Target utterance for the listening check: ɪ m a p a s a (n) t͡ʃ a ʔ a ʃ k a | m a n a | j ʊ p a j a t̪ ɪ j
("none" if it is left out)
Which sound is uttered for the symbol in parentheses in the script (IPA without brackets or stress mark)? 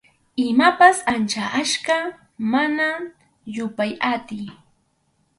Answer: n